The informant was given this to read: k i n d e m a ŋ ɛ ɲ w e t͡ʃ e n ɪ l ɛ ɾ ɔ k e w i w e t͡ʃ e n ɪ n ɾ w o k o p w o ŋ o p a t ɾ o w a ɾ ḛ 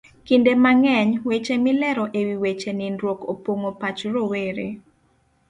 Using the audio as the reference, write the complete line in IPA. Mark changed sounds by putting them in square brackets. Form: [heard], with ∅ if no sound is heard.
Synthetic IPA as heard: k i n d e m a ŋ ɛ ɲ w e t͡ʃ e [m] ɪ l ɛ ɾ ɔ [ʔ] e w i w e t͡ʃ e n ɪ n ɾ w o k o p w o ŋ o p a [t͡ʃ] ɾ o w [e] ɾ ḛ